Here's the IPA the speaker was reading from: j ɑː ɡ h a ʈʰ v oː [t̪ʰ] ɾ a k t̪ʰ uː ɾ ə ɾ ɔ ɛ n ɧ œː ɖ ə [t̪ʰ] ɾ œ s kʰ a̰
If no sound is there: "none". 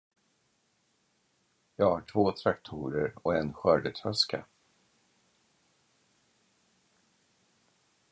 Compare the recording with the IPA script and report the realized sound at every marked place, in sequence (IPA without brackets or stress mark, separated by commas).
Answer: t̪ʰ, t̪ʰ